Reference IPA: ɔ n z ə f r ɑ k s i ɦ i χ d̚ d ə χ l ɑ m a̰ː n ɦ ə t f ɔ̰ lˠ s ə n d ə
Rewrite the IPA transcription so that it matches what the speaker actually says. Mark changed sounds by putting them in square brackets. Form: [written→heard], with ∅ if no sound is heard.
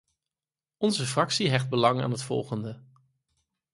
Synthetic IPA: ɔ n z ə f r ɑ k s i ɦ [i→ɛ] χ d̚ [d→b] ə [χ→∅] l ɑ [m→ŋ] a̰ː n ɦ ə t f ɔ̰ lˠ [s→χ] ə n d ə